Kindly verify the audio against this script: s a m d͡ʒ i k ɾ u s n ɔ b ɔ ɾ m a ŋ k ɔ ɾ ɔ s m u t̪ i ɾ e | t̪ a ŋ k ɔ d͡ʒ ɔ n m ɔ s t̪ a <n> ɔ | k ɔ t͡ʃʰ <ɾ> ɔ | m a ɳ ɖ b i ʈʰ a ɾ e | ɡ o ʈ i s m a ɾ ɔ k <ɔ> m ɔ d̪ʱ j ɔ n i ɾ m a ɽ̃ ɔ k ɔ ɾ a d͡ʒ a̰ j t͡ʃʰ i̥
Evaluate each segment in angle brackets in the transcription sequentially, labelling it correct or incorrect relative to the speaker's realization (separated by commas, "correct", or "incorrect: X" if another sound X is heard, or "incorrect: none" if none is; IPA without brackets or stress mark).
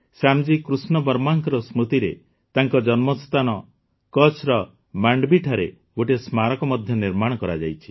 correct, correct, correct